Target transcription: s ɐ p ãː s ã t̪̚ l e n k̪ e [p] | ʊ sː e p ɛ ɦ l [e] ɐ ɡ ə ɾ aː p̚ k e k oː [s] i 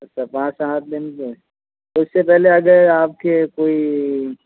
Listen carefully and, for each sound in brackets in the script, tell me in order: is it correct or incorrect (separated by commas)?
incorrect, correct, incorrect